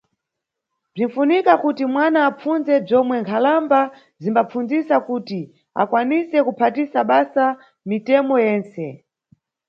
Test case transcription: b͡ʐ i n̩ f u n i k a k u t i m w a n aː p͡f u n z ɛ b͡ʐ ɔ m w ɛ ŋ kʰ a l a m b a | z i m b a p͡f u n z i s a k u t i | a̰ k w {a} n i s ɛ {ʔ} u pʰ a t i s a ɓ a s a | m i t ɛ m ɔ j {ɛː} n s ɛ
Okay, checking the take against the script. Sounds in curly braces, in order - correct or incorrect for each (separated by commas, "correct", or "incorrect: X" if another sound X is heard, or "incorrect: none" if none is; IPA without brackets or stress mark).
correct, incorrect: k, correct